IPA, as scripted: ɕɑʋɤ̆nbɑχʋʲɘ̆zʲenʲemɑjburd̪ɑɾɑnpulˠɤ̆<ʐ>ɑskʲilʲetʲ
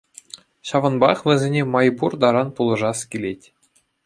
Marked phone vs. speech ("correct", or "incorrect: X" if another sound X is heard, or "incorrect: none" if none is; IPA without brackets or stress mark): correct